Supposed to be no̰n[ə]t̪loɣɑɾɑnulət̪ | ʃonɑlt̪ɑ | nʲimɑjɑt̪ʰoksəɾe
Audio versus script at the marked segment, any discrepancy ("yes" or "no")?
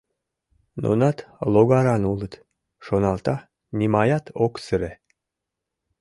yes